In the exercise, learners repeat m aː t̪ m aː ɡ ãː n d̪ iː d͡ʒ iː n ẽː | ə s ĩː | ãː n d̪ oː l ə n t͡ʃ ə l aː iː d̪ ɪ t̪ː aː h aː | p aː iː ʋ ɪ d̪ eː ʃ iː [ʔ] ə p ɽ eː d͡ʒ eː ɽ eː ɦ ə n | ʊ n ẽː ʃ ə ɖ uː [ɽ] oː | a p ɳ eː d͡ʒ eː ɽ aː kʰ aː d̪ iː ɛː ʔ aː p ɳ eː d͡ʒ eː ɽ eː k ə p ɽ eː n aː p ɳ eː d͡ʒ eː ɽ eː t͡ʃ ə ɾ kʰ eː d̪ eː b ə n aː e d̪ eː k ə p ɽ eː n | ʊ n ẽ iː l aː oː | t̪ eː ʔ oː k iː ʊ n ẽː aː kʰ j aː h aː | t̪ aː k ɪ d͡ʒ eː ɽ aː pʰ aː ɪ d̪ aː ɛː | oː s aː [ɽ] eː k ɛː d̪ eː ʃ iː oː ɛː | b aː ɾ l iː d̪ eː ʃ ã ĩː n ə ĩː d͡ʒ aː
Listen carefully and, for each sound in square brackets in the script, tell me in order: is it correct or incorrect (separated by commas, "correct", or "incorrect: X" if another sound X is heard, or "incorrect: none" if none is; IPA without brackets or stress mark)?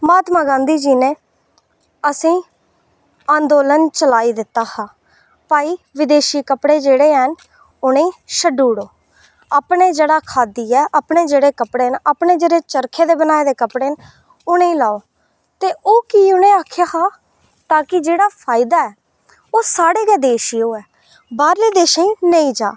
incorrect: k, correct, correct